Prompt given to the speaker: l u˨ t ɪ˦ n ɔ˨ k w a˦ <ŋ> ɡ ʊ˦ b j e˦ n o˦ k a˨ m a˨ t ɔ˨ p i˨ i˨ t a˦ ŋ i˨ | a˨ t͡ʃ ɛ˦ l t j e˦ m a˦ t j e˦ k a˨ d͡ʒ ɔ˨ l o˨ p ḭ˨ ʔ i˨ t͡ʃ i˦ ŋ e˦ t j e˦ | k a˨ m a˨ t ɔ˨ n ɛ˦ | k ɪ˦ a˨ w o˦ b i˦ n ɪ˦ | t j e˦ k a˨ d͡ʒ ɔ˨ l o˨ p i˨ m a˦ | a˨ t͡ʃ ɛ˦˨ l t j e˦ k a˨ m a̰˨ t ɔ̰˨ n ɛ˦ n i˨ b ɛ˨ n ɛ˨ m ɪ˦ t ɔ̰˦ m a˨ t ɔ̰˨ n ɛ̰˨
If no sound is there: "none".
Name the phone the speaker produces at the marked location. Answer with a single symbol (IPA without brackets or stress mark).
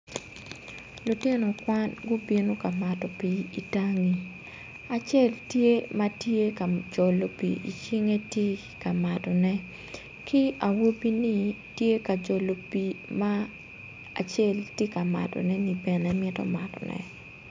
n